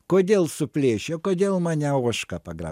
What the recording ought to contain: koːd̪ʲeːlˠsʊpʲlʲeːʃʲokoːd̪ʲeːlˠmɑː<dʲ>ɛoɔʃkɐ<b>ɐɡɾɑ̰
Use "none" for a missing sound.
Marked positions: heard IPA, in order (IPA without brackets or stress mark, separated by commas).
nʲ, p